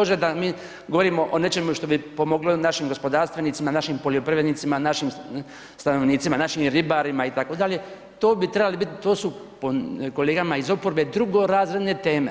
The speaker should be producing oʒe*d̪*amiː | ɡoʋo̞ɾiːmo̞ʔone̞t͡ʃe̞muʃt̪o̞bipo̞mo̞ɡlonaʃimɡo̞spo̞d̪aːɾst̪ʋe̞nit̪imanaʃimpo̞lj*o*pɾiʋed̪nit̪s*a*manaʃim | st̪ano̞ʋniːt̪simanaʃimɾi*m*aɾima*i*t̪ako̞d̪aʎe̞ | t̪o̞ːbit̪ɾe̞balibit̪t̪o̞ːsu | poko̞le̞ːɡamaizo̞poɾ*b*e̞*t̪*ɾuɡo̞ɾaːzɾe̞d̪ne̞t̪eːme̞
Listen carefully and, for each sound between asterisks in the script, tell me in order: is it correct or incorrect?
correct, correct, incorrect: i, incorrect: b, correct, correct, incorrect: d̪

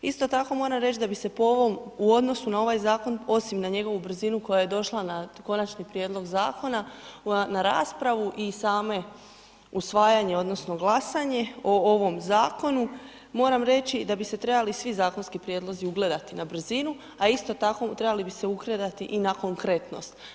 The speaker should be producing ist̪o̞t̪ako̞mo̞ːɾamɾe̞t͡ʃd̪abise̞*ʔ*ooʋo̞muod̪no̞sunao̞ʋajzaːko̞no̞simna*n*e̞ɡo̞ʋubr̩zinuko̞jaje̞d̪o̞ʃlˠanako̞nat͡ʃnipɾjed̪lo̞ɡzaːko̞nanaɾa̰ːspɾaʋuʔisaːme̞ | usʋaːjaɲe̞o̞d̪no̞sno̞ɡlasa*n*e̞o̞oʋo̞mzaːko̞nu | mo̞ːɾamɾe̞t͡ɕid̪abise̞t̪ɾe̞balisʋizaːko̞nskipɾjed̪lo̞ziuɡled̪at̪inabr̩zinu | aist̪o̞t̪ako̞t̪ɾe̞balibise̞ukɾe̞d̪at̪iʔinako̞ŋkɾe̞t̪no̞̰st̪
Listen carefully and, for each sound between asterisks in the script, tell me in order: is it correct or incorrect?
incorrect: p, incorrect: ɲ, incorrect: ɲ

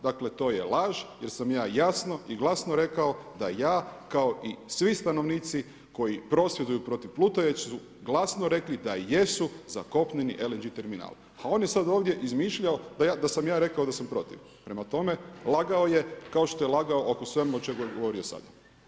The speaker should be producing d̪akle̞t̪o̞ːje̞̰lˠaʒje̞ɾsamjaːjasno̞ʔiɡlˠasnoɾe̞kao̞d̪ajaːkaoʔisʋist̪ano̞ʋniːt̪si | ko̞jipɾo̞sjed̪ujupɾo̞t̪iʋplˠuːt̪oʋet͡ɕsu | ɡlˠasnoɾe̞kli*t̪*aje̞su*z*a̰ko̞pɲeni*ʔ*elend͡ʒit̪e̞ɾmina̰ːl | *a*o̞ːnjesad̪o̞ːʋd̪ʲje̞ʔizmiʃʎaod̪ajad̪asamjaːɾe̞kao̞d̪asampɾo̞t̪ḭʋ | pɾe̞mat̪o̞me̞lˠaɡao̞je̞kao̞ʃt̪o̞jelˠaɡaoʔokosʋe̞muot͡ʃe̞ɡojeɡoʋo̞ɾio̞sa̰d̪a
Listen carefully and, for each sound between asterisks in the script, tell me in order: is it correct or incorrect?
incorrect: d̪, correct, correct, correct

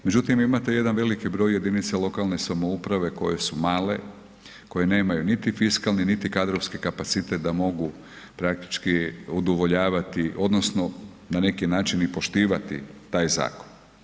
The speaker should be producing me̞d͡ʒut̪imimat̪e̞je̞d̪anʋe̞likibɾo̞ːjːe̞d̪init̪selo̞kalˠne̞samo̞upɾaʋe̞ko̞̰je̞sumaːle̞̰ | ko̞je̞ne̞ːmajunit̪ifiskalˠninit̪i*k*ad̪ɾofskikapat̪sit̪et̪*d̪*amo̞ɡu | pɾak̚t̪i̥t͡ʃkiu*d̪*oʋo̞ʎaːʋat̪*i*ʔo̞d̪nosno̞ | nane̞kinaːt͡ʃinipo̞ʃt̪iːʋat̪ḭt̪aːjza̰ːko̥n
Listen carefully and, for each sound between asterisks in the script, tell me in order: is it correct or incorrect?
correct, correct, correct, correct

